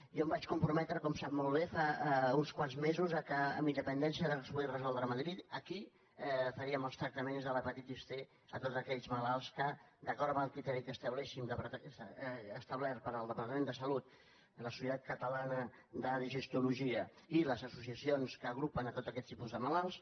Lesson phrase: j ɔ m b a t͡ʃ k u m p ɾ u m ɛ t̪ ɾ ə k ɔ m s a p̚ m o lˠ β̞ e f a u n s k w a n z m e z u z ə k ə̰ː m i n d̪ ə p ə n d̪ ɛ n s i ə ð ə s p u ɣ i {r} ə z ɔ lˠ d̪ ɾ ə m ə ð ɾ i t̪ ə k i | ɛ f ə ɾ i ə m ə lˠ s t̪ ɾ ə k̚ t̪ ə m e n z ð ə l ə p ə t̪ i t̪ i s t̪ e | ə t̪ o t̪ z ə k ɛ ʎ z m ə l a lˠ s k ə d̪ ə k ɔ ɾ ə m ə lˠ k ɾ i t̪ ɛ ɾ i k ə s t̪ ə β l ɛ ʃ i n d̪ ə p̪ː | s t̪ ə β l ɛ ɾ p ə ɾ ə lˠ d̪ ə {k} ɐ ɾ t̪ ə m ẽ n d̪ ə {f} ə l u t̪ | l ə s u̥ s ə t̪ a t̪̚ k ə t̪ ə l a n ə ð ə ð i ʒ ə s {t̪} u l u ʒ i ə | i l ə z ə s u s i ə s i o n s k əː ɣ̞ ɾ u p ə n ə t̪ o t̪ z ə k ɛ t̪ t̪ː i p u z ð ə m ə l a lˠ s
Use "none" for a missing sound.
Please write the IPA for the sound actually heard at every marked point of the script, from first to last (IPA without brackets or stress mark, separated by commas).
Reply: r, p, s, t̪